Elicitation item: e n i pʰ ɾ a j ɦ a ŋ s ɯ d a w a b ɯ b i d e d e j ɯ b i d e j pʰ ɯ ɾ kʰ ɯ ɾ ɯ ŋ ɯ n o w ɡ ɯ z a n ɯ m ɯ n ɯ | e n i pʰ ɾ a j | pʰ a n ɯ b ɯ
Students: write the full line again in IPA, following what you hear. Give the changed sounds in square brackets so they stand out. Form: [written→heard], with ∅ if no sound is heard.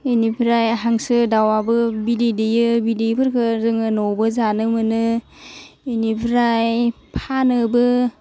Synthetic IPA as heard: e n i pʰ ɾ a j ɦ a ŋ s ɯ d a w a b ɯ b i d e d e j ɯ b i d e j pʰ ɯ ɾ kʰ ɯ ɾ ɯ ŋ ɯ n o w [ɡ→b] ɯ z a n ɯ m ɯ n ɯ | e n i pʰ ɾ a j | pʰ a n ɯ b ɯ